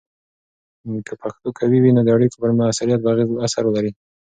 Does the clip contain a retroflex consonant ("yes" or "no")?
yes